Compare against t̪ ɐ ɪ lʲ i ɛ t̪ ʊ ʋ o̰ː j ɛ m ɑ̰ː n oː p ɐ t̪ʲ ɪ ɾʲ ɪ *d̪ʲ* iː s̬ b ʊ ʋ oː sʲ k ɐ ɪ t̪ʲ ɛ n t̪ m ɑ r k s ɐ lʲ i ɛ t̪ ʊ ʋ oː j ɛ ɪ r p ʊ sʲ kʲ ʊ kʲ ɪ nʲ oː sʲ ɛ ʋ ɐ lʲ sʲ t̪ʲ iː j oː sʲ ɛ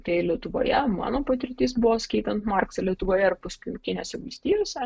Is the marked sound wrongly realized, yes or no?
yes